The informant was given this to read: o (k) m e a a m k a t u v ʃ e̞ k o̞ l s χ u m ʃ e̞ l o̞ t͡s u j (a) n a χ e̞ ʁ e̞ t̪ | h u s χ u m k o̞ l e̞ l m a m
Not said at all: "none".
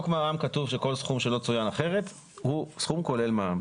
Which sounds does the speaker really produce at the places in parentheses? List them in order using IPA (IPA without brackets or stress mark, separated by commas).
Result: k, a